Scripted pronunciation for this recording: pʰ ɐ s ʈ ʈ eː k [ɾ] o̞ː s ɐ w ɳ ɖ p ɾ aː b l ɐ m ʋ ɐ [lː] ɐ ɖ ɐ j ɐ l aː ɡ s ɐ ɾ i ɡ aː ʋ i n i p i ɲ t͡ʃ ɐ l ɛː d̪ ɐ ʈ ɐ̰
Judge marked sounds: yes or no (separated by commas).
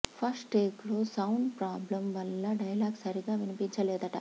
no, yes